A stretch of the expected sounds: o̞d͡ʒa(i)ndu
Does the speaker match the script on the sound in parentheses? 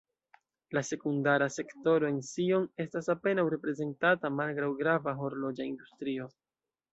yes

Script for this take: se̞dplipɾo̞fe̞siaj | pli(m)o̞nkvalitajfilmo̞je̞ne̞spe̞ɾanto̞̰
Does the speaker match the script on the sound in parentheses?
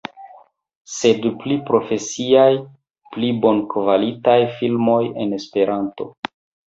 no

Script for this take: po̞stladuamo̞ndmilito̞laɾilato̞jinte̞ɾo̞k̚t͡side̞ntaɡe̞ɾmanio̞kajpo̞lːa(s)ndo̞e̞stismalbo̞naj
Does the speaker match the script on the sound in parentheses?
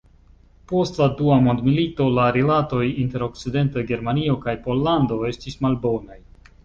no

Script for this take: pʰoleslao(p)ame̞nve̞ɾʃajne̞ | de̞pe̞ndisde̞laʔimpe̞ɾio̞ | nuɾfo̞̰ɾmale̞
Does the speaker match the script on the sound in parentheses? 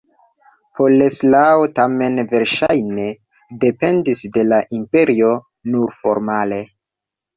no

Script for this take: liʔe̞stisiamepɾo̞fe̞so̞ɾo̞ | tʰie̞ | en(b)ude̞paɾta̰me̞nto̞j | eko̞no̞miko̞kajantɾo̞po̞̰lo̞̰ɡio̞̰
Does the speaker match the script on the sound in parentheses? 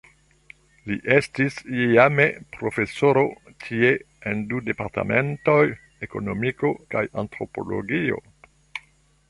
no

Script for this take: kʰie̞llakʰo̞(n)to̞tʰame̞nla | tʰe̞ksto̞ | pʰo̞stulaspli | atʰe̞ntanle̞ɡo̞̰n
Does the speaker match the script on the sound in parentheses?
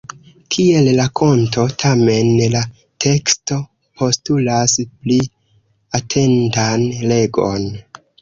yes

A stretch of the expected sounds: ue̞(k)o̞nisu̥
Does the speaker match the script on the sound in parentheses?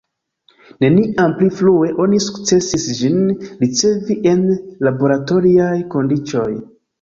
no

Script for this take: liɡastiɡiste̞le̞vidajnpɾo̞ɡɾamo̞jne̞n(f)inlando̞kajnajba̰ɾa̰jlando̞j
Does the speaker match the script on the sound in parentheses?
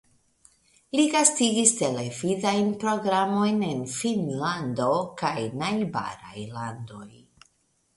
yes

